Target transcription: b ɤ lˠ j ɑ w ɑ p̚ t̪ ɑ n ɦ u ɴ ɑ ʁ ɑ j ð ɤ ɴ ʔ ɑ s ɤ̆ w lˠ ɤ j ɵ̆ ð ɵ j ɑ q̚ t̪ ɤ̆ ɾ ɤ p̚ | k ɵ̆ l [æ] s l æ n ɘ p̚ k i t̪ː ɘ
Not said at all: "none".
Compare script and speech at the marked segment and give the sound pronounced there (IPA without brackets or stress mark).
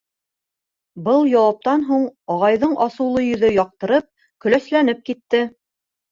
æ